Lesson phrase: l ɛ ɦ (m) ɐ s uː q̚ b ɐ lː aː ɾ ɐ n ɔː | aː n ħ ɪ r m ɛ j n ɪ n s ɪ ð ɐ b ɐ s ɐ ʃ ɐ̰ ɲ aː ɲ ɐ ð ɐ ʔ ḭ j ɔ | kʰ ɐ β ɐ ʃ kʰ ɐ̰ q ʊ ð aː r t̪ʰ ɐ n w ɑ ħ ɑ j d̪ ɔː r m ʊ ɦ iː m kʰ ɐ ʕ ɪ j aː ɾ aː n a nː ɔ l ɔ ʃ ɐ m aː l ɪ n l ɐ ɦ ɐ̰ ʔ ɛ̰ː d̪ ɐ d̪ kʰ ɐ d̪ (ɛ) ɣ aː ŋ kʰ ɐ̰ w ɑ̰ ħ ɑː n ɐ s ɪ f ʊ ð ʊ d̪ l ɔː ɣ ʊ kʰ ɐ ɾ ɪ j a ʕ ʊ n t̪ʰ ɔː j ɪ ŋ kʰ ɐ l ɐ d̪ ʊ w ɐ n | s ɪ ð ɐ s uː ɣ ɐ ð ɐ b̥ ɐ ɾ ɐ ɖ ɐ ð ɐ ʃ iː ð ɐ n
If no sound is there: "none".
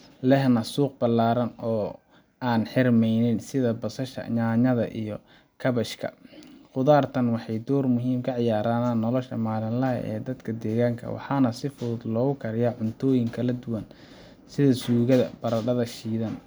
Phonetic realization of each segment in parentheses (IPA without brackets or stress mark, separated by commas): n, ɛː